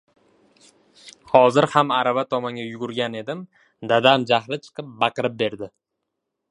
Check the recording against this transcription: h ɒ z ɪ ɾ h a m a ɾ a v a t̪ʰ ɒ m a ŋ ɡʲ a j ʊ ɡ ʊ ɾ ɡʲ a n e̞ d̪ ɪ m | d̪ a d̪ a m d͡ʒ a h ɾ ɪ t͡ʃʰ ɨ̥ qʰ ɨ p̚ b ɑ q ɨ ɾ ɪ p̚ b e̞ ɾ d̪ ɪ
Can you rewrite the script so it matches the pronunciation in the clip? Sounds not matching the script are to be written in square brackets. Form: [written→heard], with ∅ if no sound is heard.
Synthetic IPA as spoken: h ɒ z ɪ ɾ h a m a ɾ a v a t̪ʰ ɒ m a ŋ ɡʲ a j ʊ ɡ ʊ ɾ ɡʲ a n e̞ d̪ ɪ m | d̪ a d̪ a m d͡ʒ a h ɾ ɪ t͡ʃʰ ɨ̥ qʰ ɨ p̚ b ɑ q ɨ ɾ ɪ p̚ b e̞ ɾ d̪ ɪ